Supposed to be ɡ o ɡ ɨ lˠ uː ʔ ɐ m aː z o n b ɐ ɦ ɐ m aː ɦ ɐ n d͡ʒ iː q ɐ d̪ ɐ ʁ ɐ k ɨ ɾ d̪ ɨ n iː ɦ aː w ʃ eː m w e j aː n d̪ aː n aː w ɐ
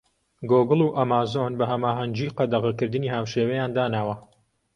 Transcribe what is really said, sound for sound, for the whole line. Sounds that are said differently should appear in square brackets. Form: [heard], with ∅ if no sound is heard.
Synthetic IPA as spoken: ɡ o ɡ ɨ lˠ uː ʔ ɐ m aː z o n b ɐ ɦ ɐ m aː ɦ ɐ n d͡ʒ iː q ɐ d̪ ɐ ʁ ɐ k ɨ ɾ d̪ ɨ n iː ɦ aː w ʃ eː [∅] w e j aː n d̪ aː n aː w ɐ